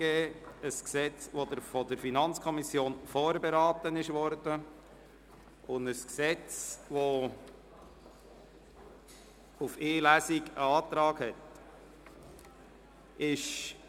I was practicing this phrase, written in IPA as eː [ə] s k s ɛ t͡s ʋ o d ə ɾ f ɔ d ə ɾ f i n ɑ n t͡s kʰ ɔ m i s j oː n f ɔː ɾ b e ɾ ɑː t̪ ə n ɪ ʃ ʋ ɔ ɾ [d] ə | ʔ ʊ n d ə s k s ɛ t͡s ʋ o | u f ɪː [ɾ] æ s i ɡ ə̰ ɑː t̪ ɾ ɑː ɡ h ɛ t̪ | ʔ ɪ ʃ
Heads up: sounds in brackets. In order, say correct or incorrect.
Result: correct, correct, incorrect: l

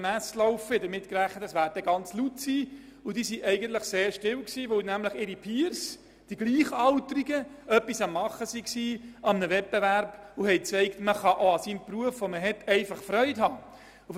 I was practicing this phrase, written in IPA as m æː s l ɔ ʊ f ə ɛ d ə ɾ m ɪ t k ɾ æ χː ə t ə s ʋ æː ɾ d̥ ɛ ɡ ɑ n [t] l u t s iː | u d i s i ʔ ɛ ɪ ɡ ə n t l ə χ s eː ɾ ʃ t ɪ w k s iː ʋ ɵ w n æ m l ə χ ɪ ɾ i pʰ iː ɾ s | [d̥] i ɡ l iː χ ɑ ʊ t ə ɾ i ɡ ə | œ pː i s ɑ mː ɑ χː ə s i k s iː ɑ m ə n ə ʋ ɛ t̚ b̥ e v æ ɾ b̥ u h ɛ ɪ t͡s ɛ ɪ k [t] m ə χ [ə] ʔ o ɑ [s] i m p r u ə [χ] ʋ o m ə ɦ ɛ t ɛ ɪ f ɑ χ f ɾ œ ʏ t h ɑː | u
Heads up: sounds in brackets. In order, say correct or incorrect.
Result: incorrect: t͡s, correct, correct, incorrect: ɑ, correct, incorrect: f

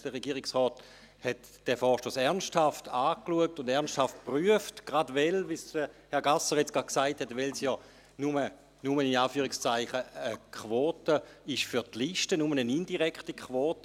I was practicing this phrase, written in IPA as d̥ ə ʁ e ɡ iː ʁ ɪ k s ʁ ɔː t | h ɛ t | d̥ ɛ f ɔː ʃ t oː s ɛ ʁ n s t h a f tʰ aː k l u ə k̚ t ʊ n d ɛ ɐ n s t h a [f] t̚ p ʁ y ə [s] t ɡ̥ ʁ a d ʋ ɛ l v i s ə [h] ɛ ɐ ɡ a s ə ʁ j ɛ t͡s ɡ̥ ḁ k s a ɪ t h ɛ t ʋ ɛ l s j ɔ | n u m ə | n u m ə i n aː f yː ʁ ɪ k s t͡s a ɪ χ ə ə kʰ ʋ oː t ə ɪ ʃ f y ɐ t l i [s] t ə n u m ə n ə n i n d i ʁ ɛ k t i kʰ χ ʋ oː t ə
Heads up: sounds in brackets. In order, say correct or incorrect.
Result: correct, incorrect: f, correct, incorrect: ʃ

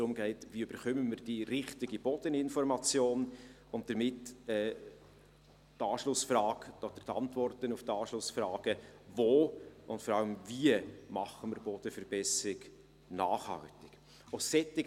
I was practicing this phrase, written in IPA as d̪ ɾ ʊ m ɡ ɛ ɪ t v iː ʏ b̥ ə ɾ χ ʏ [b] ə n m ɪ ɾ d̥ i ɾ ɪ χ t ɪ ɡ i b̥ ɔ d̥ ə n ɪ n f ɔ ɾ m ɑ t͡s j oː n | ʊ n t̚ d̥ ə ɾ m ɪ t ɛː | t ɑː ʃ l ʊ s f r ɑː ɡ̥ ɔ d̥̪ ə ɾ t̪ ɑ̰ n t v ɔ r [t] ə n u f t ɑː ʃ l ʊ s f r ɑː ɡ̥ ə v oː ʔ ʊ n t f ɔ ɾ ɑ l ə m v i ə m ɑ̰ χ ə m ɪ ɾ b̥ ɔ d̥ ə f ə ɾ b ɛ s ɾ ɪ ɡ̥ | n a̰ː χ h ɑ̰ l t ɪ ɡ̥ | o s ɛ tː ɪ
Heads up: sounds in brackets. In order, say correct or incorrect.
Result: incorrect: m, correct

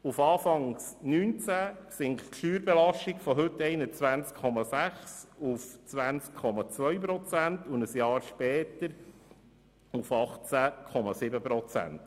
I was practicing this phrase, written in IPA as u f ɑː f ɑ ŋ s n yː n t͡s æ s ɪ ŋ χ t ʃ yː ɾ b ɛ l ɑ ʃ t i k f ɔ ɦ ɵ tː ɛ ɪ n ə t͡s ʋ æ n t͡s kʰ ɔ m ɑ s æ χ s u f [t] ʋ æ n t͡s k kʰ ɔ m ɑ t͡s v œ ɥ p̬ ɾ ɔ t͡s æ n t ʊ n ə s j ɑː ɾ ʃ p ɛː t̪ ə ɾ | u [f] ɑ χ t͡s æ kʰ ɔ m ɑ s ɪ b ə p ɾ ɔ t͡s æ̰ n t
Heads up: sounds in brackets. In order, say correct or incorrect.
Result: incorrect: t͡s, correct

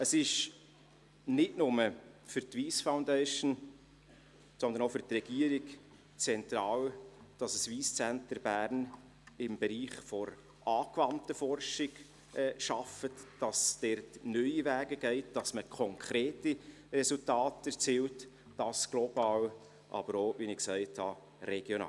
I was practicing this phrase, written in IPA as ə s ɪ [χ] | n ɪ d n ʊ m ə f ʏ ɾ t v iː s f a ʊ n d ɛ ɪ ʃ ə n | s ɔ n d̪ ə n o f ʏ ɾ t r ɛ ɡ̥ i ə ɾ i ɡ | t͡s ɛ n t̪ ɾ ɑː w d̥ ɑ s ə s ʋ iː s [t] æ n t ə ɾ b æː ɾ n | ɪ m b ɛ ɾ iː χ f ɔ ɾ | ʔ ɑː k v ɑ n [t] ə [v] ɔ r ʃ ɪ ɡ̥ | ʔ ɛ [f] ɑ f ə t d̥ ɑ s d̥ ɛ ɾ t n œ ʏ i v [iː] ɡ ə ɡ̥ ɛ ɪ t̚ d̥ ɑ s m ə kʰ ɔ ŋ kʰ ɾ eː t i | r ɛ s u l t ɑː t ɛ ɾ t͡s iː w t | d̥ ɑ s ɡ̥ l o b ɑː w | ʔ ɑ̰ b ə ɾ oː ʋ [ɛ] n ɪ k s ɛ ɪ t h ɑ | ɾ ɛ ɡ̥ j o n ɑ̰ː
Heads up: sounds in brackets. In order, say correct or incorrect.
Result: incorrect: ʃ, incorrect: t͡s, correct, incorrect: f, incorrect: ʃ, incorrect: æː, incorrect: i

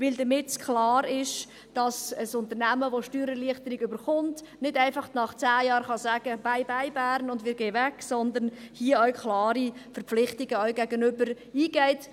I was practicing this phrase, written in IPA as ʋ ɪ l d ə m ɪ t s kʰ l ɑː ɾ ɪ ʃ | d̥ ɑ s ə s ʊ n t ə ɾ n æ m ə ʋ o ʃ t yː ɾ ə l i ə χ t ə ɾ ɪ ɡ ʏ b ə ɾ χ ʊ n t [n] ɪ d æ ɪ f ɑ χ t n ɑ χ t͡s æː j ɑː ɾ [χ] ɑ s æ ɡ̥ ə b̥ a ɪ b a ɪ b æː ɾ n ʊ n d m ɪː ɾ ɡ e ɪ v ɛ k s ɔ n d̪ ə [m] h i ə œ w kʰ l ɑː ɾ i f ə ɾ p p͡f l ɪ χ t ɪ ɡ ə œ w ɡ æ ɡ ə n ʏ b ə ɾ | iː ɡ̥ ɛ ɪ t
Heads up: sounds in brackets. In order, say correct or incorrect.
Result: correct, correct, incorrect: n

